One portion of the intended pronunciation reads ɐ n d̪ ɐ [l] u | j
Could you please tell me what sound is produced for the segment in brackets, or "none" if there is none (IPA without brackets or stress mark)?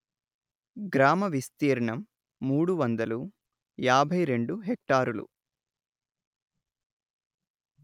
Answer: l